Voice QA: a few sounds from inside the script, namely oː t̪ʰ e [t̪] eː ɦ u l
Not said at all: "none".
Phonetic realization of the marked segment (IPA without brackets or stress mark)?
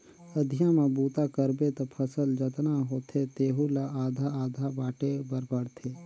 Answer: t̪